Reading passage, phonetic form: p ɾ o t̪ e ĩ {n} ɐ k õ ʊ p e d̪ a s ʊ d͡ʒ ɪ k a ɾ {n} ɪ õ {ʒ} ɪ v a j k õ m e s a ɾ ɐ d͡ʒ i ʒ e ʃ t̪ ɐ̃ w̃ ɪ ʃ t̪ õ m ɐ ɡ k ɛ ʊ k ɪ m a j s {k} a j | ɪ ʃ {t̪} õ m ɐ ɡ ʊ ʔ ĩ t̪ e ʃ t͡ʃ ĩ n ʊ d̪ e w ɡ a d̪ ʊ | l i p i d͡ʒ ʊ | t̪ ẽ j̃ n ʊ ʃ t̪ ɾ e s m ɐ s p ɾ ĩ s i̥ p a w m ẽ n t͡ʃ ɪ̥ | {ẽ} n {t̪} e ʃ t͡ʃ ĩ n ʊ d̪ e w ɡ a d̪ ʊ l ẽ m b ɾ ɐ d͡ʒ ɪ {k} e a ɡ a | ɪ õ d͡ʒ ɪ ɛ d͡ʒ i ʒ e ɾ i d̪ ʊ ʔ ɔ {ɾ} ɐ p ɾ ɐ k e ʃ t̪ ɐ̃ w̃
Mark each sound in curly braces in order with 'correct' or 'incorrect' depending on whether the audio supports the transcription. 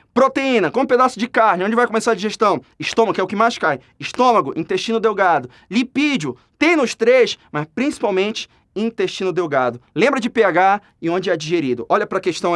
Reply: correct, correct, incorrect: d͡ʒ, correct, correct, incorrect: ĩ, correct, incorrect: p, incorrect: ʎ

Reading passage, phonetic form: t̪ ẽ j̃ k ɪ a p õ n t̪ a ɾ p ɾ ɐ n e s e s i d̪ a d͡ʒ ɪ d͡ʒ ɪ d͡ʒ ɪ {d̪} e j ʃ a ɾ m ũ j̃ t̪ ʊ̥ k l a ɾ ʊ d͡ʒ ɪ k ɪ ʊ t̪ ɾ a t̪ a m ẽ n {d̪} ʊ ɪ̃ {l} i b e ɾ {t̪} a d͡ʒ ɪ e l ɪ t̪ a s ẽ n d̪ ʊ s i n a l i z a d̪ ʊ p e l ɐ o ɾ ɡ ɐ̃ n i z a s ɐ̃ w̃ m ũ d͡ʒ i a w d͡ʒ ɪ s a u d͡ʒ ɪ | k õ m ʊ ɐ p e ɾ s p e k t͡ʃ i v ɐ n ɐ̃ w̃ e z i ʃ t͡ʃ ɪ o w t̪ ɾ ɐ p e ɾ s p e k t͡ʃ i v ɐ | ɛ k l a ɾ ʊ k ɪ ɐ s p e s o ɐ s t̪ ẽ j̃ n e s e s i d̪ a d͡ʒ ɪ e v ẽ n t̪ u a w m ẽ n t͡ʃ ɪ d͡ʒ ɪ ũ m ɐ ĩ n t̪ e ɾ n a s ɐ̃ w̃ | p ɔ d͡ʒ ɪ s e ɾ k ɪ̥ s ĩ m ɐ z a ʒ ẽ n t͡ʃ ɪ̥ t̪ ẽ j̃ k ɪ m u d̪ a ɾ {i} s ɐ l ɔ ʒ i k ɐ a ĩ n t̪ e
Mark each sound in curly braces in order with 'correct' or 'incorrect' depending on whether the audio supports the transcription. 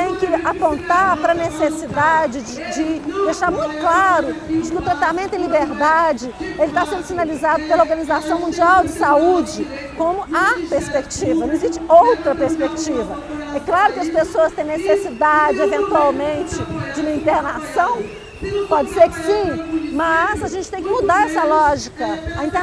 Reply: correct, incorrect: t̪, correct, incorrect: d̪, incorrect: ɛ

